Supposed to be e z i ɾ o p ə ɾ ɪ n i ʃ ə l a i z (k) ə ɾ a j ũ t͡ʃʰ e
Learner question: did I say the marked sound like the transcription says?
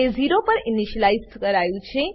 yes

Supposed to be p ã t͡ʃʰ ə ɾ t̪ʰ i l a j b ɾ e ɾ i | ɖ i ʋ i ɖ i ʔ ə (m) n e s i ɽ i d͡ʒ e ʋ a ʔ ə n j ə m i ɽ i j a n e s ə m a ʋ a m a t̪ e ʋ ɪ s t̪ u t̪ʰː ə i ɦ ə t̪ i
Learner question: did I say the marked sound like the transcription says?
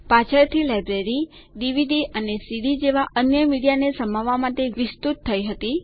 no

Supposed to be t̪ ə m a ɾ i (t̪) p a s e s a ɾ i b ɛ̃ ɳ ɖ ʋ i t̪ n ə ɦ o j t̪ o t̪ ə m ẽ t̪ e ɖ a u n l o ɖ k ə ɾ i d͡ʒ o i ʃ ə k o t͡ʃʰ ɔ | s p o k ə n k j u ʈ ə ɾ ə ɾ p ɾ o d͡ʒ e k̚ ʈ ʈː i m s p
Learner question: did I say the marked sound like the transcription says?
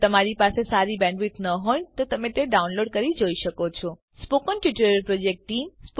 no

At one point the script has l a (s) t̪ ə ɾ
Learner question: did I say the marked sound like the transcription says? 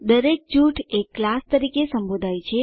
yes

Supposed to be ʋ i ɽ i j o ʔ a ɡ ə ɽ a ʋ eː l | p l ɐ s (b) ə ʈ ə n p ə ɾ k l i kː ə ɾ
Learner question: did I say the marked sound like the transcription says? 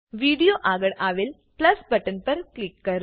yes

